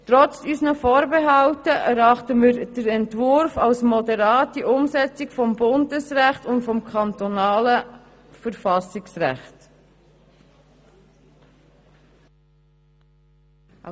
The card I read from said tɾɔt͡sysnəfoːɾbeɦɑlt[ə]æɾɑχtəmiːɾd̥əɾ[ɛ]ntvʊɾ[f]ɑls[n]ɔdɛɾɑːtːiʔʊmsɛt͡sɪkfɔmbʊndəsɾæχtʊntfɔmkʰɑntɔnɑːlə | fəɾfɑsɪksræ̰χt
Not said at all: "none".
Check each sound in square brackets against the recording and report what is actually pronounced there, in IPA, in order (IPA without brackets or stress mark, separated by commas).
ə, ɛ, f, m